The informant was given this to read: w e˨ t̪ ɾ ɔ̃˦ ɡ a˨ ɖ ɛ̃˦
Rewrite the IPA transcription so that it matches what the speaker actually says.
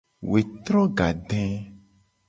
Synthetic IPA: w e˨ t̪ ɾ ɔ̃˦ ɡ a˨ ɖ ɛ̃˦